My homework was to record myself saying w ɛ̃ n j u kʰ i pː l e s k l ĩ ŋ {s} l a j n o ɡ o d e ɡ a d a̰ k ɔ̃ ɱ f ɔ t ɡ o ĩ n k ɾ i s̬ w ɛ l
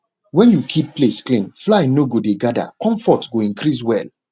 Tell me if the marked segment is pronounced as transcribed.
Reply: no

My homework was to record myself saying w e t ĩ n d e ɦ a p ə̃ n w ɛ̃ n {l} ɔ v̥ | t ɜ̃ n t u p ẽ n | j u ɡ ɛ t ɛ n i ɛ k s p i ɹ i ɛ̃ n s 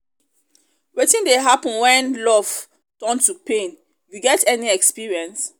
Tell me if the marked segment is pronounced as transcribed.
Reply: yes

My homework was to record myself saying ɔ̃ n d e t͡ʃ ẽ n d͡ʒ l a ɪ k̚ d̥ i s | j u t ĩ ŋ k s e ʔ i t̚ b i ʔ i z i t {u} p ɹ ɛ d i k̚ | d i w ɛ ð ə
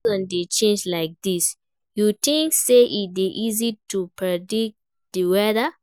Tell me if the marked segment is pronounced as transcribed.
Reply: yes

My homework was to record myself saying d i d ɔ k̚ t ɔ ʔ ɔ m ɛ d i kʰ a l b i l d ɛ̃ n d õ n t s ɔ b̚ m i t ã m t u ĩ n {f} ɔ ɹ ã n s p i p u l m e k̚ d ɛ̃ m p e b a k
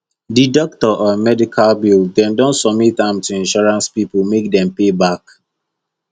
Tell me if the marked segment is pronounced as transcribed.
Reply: no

